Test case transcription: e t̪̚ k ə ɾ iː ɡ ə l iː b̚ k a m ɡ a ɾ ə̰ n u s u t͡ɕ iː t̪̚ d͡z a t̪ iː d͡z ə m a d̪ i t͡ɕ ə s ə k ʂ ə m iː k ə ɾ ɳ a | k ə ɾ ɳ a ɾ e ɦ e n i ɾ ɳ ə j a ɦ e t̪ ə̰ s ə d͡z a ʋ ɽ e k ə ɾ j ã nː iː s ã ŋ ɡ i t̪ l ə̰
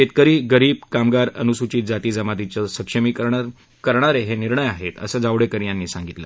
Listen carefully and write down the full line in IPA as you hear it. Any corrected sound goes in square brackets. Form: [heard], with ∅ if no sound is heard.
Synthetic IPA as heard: e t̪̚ k ə ɾ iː ɡ ə [ɾ] iː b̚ k a m ɡ a ɾ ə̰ n u s u t͡ɕ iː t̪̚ d͡z a t̪ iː d͡z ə m a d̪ i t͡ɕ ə s ə k ʂ ə m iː k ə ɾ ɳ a | k ə ɾ ɳ a ɾ e ɦ e n i ɾ ɳ ə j a ɦ e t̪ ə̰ s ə d͡z a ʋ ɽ e k ə ɾ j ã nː iː s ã ŋ ɡ i t̪ l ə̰